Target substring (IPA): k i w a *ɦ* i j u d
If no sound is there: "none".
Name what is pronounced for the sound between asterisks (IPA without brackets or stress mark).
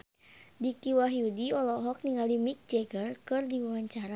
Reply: ɦ